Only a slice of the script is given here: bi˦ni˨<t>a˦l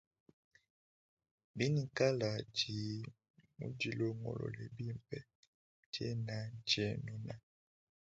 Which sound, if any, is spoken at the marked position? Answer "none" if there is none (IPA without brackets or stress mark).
k